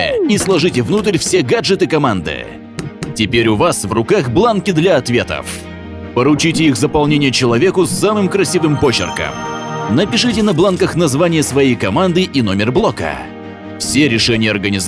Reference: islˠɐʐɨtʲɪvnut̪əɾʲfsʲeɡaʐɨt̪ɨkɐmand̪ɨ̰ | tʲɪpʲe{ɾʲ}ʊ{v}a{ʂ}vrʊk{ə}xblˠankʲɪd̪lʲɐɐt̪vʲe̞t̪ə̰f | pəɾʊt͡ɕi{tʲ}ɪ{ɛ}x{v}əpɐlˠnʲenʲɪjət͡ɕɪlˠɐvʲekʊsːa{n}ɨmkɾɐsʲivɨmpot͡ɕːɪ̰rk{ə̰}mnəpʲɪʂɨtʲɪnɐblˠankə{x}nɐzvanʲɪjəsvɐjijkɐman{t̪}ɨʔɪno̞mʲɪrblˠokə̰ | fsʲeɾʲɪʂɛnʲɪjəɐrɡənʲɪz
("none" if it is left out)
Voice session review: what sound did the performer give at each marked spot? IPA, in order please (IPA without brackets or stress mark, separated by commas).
ɾʲ, v, s, a, tʲ, i, z, m, ə̰, x, d̪